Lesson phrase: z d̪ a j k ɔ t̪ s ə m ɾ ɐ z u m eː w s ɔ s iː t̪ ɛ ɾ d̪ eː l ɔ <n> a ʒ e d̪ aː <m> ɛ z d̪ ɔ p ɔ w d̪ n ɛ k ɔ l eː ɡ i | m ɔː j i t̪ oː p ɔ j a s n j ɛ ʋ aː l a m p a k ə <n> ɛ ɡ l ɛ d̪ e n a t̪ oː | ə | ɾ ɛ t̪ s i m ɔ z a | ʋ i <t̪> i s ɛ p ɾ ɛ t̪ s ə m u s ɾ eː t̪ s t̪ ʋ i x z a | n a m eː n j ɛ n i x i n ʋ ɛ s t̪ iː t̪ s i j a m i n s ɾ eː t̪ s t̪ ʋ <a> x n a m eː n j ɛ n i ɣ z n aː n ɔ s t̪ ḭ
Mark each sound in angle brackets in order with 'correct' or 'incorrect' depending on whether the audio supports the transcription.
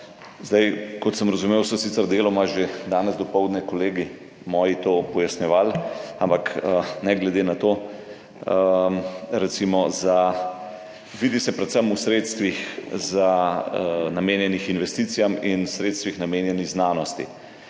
incorrect: m, incorrect: n, correct, incorrect: d̪, incorrect: i

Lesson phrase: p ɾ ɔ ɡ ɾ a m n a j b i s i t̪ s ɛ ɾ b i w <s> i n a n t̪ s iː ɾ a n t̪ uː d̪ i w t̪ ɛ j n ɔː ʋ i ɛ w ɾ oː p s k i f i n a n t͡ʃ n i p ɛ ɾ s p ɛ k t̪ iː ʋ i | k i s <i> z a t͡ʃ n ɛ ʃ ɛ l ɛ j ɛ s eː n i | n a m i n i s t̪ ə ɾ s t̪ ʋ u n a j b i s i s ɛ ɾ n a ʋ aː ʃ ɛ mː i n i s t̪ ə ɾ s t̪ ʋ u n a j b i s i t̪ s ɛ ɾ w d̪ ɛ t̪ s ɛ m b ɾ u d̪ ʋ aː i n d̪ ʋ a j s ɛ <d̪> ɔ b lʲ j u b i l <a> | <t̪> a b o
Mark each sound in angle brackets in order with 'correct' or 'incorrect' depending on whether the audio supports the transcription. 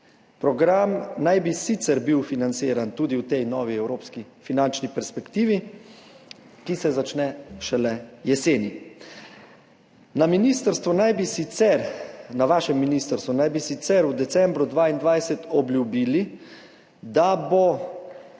incorrect: f, incorrect: ɛ, incorrect: t̪, incorrect: i, incorrect: d̪

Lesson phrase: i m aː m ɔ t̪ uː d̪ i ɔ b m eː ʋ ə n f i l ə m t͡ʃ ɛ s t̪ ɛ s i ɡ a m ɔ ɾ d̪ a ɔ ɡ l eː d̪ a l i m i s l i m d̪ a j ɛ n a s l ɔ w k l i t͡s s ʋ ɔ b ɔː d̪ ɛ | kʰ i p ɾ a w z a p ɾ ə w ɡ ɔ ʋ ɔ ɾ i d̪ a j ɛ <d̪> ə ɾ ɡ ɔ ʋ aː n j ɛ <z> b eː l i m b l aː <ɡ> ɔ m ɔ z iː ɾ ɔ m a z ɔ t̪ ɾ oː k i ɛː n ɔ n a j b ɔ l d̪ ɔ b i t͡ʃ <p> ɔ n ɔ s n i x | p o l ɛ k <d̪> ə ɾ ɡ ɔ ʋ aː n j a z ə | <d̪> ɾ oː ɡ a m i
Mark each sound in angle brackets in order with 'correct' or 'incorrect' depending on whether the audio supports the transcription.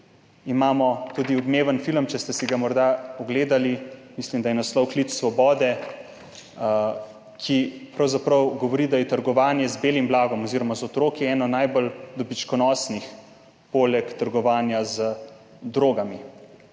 incorrect: t̪, correct, correct, incorrect: k, incorrect: t̪, correct

